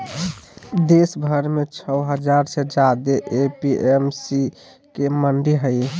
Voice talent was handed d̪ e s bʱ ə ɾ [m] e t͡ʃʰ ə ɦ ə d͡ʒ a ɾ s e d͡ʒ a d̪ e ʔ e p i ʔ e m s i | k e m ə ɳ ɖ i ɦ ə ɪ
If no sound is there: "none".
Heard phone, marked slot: m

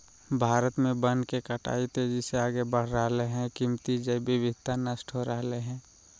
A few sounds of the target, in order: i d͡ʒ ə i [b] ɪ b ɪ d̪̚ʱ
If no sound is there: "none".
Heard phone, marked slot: b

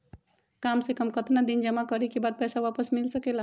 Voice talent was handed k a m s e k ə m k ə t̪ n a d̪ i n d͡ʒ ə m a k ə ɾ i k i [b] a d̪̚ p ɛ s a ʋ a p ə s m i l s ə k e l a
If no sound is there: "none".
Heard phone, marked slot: b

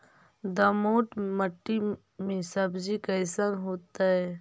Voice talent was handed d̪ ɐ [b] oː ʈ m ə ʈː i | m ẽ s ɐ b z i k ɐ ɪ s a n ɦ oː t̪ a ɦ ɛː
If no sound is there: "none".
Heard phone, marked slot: m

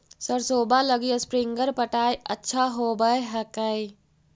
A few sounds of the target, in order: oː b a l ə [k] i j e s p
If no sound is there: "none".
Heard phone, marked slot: ɡ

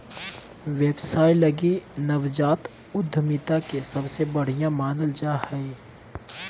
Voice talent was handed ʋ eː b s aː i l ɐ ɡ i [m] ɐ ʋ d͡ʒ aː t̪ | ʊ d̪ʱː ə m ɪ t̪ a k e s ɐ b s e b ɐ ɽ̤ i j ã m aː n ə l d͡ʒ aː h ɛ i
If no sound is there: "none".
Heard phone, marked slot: n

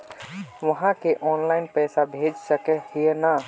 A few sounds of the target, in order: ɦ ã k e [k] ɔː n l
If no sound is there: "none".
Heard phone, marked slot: ʔ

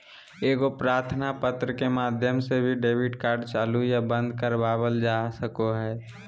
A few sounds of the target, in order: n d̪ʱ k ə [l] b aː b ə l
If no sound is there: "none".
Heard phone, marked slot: ɾ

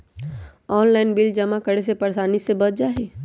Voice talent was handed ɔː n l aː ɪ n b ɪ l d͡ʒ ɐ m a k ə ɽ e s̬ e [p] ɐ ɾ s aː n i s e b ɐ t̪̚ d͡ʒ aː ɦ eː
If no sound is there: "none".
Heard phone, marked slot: p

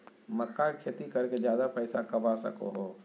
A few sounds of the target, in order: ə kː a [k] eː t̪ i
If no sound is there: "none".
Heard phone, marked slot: kʰ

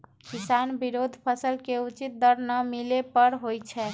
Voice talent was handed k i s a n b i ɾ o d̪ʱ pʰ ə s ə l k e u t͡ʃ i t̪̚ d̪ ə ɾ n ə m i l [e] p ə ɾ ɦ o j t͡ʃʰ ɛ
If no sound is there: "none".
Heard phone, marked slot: e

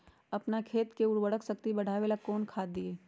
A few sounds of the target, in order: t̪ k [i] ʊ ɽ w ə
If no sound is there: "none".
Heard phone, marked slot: e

